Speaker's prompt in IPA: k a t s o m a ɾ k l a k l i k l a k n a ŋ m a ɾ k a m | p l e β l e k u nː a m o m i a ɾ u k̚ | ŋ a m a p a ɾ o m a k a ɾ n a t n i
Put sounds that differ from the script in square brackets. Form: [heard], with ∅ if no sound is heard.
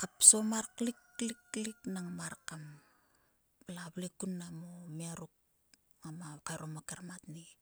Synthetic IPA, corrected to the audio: k a [p] s o m a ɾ k l [i] k l i k l [i] k n a ŋ m a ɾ k a m | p l [a] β l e k u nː a m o m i a ɾ u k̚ | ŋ a m a [k] a ɾ o m a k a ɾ [m] a t n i